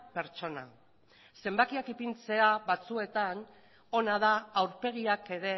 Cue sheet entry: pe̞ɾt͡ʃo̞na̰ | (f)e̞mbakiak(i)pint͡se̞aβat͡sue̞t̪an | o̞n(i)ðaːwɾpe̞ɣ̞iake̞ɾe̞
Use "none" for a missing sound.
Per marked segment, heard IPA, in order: s, i, a

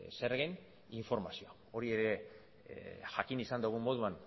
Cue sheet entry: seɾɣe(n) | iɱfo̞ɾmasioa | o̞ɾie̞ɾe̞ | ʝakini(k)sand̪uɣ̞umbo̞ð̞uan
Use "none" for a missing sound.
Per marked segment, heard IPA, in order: n, none

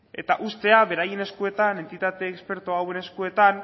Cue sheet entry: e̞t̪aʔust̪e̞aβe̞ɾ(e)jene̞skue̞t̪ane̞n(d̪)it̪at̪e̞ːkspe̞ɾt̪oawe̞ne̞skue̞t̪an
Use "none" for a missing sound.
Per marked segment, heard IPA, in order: a, t̪

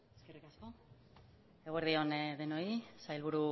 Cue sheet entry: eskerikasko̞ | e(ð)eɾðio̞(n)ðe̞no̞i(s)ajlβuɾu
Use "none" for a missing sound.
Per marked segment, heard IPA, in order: ɣ, n, s

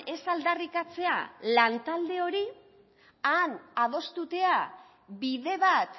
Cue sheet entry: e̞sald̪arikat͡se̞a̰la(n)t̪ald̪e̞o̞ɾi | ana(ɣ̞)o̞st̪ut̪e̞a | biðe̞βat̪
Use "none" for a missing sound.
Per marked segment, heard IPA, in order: n, ð̞

